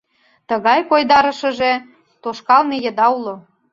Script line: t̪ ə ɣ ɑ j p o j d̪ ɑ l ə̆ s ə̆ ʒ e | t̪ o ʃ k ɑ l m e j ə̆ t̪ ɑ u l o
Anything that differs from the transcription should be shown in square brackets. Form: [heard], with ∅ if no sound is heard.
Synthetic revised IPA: t̪ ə ɣ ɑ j [k] o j d̪ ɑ [ɾ] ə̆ [ʃ] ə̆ ʒ e | t̪ o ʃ k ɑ l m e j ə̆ [d̪] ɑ u l o